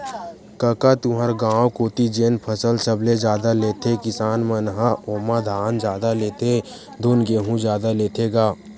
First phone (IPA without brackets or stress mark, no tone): k